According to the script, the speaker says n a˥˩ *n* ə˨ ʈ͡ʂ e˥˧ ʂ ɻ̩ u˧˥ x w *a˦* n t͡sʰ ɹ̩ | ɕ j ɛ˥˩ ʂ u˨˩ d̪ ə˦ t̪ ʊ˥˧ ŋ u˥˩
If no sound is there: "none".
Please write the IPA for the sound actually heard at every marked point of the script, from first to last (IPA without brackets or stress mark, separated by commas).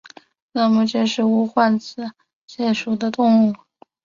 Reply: m, a˥˩